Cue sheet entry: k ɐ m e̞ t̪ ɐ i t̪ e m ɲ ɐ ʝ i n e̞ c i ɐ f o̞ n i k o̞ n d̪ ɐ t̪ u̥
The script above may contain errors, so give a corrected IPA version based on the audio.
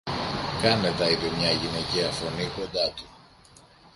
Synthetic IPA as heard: k ɐ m e̞ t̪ ɐ i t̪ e m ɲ ɐ ʝ i n e̞ c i ɐ f o̞ n i k o̞ n d̪ ɐ t̪ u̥